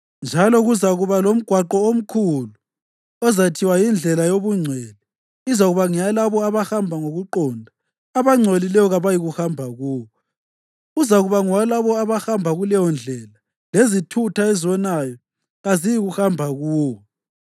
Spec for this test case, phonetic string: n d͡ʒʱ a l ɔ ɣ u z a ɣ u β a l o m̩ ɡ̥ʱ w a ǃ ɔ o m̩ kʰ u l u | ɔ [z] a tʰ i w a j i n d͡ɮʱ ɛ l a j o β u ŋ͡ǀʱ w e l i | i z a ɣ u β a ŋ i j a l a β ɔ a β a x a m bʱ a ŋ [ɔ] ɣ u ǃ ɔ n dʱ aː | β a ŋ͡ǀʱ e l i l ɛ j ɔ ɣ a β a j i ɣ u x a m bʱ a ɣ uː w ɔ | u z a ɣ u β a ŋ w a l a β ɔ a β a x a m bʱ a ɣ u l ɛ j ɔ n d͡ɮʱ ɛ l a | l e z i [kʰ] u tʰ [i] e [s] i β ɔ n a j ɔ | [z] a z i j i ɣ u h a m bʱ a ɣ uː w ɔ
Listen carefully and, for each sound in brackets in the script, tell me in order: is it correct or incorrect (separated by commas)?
correct, incorrect, incorrect, incorrect, incorrect, incorrect